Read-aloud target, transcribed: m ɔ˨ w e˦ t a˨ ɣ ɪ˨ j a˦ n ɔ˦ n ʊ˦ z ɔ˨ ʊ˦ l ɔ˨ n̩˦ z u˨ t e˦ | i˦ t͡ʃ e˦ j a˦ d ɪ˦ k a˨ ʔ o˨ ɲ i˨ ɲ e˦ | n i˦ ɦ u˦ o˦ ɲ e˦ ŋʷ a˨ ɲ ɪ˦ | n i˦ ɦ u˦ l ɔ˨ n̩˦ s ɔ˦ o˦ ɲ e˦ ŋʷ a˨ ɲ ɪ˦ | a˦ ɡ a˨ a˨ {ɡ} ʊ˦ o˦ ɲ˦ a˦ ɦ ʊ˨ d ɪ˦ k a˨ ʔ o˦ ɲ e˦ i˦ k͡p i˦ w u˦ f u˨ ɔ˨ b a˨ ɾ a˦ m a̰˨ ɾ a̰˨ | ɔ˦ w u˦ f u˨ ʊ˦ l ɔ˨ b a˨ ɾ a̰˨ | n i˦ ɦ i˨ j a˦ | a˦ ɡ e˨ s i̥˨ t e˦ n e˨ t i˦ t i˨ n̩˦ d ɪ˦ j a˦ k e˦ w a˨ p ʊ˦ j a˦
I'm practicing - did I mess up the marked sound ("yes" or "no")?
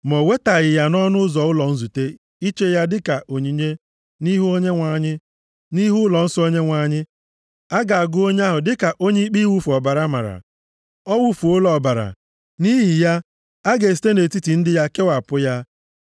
no